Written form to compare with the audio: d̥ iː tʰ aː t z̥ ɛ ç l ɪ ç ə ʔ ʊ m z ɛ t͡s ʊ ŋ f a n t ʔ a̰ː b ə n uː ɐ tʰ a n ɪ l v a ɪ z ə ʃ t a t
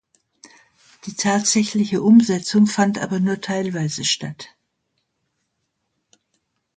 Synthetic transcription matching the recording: d̥ iː tʰ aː t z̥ ɛ ç l ɪ ç ə ʔ ʊ m z ɛ t͡s ʊ ŋ f a n t ʔ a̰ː b ɐ n uː ɐ tʰ a ɪ l v a ɪ z ə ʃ t a t